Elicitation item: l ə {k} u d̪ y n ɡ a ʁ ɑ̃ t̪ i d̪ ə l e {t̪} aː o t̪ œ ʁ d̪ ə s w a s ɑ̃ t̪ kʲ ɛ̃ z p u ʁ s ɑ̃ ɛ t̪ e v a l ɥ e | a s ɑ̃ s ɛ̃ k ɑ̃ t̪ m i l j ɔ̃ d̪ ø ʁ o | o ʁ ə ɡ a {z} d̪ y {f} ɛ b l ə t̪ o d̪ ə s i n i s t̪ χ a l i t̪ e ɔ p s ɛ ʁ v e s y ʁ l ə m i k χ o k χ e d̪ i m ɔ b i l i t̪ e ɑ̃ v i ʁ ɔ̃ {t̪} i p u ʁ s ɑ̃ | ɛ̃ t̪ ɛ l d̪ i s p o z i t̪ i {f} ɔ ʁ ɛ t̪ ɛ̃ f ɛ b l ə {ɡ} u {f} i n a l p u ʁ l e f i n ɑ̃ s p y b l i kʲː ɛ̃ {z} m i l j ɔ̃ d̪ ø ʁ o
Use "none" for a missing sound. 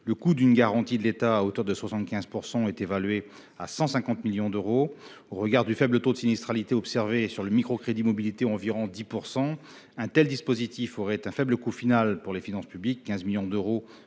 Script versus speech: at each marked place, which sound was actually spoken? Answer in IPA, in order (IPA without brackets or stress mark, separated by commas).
k, t̪, ʁ, f, d̪, f, k, f, z